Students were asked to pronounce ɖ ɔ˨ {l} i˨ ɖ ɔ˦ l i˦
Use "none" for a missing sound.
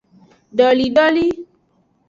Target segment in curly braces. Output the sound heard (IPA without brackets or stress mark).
l